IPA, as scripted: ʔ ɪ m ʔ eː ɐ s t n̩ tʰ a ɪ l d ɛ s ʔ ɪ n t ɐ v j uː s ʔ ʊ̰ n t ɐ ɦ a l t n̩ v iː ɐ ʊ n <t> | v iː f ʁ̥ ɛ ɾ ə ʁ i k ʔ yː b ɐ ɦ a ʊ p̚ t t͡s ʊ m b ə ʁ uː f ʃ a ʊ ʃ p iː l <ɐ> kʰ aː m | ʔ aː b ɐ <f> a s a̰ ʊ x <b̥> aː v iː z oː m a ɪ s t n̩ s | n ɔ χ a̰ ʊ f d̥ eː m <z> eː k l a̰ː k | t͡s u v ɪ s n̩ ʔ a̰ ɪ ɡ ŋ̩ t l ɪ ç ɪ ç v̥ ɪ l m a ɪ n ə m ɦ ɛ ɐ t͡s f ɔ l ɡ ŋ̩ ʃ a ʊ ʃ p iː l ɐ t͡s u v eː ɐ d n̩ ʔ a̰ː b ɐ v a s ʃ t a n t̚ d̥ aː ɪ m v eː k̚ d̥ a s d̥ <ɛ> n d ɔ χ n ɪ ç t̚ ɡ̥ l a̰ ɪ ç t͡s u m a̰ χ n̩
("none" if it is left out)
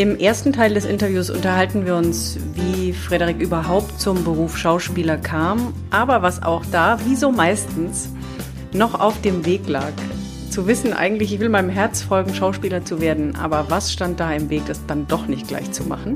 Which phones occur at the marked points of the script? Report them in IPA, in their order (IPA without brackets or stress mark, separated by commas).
s, ɐ, v, d̥, v, a